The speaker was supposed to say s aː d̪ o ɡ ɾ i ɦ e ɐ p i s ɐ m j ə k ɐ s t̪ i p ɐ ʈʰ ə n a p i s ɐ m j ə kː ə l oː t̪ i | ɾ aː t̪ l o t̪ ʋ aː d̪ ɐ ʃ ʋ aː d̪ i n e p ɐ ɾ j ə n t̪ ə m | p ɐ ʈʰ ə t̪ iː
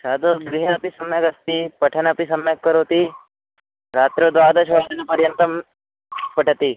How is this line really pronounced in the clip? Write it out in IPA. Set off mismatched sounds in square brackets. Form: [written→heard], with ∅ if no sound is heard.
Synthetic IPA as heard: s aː d̪ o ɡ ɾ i ɦ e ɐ p i s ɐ m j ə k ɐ s t̪ i p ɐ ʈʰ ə n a p i s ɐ m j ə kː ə [l→ɾ] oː t̪ i | ɾ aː t̪ [l→ɾ] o [t̪→d̪] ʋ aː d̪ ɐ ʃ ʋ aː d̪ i n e p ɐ ɾ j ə n t̪ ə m | p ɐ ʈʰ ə t̪ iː